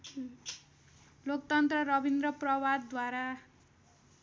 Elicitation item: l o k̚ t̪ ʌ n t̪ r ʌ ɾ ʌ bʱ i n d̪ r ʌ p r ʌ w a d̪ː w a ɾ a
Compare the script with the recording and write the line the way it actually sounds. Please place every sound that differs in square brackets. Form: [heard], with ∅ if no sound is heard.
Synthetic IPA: l o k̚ t̪ ʌ n t̪ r ʌ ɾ ʌ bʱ i n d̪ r ʌ p r ʌ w a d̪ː w a ɾ a